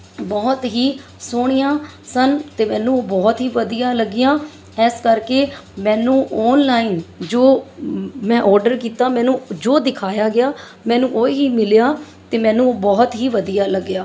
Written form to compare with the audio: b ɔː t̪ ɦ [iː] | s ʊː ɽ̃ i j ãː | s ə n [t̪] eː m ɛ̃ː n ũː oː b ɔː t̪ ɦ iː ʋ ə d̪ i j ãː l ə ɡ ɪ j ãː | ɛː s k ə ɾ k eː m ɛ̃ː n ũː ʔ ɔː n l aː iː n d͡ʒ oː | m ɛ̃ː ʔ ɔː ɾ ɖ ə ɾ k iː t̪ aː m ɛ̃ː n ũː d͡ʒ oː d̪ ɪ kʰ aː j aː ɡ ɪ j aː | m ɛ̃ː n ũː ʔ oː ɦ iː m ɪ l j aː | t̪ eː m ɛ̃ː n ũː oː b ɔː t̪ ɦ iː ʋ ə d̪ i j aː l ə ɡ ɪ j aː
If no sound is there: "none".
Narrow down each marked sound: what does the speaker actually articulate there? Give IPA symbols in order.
iː, t̪

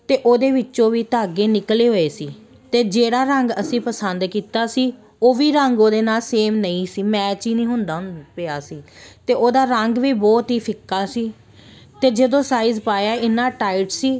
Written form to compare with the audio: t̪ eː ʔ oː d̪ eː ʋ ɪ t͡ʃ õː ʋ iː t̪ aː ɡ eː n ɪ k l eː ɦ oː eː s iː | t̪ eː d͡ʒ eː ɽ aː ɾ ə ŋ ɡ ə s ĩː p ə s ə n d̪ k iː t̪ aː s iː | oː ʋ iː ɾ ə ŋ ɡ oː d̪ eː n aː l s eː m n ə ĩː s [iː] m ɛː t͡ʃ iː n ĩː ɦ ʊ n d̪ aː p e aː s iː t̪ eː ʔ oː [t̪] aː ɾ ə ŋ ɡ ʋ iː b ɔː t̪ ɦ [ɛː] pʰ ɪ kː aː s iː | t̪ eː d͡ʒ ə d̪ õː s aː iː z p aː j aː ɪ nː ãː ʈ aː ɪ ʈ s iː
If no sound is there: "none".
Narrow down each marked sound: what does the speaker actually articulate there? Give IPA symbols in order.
iː, d̪, iː

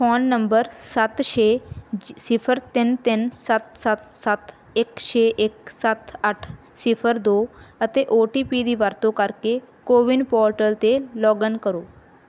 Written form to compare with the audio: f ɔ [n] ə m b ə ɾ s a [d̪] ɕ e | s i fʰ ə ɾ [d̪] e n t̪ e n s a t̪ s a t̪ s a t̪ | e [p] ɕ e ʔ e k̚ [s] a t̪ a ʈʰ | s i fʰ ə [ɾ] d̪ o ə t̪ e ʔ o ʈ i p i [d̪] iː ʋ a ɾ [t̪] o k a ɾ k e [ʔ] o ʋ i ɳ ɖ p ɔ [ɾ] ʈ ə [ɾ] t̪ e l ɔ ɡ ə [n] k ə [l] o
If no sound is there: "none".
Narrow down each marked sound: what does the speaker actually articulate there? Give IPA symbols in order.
nː, t̪, t̪, k, s, ɾ, d̪, t̪, k, ɾ, l, n, ɾ

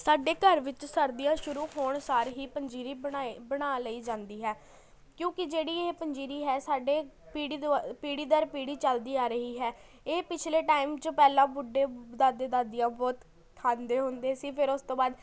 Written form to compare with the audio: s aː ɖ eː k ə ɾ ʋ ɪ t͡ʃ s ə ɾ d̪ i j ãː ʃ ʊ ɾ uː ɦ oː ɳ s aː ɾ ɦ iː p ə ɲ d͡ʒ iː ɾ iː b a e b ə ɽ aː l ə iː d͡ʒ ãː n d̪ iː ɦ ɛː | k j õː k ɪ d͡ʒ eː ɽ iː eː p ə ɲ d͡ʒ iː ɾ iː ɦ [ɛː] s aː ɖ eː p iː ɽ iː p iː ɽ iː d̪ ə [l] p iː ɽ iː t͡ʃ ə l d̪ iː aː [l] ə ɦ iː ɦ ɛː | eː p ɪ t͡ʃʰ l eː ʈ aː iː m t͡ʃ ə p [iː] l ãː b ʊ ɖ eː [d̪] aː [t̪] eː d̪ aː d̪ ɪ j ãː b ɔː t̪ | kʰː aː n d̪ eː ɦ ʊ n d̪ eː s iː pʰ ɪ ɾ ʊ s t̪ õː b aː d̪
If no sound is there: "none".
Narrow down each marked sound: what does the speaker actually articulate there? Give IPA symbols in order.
ɛː, ɾ, ɾ, ɛː, d̪, d̪

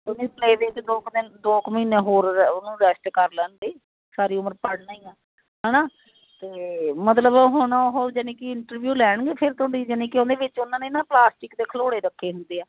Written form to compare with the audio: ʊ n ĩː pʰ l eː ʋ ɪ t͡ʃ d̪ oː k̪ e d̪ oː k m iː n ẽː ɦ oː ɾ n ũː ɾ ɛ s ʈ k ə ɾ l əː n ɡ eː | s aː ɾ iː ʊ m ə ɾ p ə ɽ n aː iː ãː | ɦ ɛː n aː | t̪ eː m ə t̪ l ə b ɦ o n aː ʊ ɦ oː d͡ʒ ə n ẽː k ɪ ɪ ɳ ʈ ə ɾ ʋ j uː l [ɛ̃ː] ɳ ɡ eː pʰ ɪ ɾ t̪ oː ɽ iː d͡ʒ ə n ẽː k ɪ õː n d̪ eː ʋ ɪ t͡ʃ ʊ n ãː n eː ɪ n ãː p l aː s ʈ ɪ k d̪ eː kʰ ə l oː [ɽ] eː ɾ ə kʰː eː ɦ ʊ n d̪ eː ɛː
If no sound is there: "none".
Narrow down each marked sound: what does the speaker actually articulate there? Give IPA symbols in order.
ɛː, ɽ

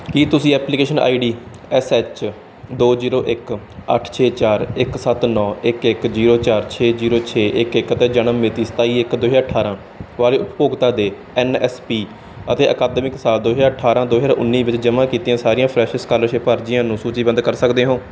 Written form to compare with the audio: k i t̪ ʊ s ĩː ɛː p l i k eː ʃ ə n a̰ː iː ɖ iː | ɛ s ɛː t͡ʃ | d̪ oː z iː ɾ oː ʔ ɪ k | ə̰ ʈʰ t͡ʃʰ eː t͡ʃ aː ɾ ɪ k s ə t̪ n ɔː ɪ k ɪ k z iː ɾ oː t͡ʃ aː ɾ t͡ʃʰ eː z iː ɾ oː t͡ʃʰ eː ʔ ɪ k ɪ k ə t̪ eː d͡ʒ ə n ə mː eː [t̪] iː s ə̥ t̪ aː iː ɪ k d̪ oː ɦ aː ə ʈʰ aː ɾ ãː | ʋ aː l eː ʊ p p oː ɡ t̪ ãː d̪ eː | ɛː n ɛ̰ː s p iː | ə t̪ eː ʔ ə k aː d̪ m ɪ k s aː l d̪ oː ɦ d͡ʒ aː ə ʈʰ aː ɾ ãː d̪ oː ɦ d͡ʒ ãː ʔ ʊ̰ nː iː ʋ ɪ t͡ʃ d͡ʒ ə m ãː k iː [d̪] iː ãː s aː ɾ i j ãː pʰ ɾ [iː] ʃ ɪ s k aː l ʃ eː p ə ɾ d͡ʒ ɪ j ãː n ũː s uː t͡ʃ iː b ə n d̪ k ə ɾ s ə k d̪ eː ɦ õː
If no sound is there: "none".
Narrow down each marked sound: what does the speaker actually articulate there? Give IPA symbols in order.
t̪, t̪, ɛː

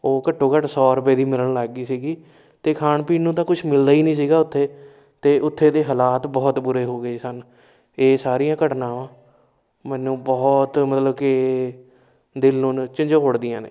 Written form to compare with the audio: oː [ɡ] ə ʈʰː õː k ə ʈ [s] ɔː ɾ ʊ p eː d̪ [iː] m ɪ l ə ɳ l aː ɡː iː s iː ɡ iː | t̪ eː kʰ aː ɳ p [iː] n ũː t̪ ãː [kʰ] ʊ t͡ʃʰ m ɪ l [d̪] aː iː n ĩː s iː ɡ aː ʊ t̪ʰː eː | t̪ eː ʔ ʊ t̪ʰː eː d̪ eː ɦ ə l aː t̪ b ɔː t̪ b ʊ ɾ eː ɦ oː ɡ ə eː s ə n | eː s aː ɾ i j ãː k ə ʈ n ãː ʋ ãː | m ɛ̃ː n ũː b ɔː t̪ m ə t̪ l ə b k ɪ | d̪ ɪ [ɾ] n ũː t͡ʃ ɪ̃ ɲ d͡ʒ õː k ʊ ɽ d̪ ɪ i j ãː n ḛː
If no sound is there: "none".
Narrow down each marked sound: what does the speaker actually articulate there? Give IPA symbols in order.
k, s, iː, iː, k, d̪, l

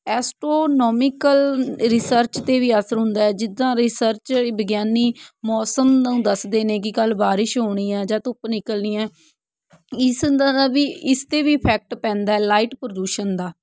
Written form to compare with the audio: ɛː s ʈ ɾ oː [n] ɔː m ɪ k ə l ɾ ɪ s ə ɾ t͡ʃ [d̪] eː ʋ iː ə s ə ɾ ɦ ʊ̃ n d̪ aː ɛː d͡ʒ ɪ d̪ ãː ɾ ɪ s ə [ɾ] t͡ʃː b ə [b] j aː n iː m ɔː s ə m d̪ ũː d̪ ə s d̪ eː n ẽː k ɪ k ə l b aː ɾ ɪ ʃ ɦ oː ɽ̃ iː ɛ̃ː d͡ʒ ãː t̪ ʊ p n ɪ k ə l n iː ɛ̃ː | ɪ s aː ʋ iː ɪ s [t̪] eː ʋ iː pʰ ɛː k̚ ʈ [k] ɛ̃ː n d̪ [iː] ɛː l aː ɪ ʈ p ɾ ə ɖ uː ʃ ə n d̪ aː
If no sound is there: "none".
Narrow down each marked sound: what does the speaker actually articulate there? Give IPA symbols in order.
n, t̪, ɾ, ɡ, t̪, p, aː

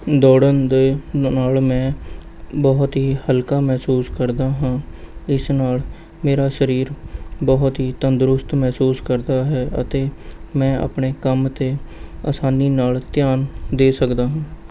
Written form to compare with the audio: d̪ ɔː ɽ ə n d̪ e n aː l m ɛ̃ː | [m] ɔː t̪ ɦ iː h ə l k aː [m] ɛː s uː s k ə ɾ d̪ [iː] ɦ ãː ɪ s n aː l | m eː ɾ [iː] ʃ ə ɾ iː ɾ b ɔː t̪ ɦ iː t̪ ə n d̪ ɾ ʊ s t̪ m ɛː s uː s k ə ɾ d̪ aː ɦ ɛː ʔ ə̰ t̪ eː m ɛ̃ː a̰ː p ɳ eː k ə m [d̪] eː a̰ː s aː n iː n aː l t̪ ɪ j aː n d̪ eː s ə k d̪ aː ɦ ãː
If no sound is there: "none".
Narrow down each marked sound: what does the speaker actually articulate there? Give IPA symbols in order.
b, m, aː, aː, t̪

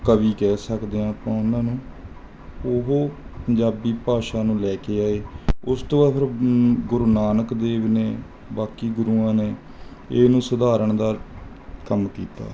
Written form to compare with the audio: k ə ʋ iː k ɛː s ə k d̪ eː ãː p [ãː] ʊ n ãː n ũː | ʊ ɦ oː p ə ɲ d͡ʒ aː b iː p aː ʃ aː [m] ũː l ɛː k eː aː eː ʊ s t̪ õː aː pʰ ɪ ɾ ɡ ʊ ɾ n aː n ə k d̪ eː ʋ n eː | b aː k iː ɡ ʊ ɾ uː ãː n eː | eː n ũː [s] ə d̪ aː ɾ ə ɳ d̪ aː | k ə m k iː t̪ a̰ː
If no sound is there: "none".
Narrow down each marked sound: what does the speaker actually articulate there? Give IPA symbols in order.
ãː, n, s

